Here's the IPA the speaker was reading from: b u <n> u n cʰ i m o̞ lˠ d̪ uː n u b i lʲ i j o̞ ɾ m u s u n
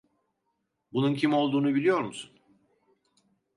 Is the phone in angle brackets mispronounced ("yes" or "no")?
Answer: no